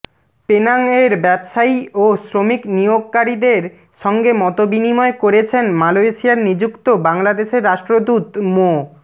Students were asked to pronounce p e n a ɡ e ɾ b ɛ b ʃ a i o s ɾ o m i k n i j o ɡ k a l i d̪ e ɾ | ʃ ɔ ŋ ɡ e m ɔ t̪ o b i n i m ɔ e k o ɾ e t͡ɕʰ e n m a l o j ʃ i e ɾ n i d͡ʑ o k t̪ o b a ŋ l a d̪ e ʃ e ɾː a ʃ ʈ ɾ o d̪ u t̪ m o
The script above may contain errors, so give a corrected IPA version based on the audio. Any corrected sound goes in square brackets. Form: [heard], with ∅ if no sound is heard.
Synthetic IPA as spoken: p e n a [ŋ] e ɾ b ɛ b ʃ a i o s ɾ o m i k n i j o ɡ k a [ɾ] i d̪ e ɾ | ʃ ɔ ŋ ɡ e m ɔ t̪ o b i n i m ɔ e k o ɾ e t͡ɕʰ e n m a l o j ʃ i [a] ɾ n i d͡ʑ [u] k t̪ o b a ŋ l a d̪ e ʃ e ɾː a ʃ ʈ ɾ o d̪ u t̪ m o